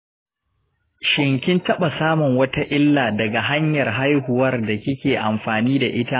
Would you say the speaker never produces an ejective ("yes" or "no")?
yes